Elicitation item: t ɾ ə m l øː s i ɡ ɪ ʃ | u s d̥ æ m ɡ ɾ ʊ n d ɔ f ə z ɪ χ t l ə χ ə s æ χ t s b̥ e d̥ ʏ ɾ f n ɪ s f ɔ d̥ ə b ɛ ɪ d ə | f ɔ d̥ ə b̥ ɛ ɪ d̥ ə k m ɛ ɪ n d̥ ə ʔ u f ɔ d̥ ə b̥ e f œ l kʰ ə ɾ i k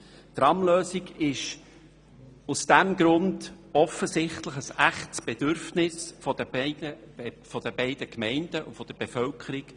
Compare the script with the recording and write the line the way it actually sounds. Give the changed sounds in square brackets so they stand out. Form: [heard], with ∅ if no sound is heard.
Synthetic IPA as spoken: t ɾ [ɑ] m l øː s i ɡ ɪ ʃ | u s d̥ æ m ɡ ɾ ʊ n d ɔ f ə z ɪ χ t l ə χ ə s æ χ t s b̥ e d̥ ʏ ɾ f n ɪ s f ɔ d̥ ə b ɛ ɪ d ə | f ɔ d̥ ə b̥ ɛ ɪ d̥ ə k m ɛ ɪ n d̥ ə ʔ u f ɔ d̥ ə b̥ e f œ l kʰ ə ɾ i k